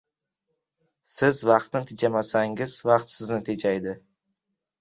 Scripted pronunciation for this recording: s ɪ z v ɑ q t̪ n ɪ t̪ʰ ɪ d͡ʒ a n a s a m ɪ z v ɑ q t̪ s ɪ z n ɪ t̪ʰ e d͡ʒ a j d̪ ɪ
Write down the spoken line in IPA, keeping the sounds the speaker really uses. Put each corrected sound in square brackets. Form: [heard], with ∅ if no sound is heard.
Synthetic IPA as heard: s ɪ z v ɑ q t̪ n ɪ t̪ʰ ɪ d͡ʒ a [m] a s a [ŋ] ɪ z v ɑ q t̪ s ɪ z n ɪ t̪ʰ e d͡ʒ a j d̪ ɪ